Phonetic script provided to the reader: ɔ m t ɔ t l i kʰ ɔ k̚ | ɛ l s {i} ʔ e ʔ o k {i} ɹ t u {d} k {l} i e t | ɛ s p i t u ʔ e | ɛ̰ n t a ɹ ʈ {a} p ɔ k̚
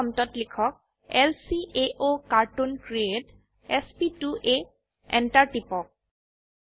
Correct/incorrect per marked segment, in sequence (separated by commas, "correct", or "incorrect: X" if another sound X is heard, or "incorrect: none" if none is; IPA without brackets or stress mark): correct, incorrect: a, incorrect: n, incorrect: ɹ, incorrect: i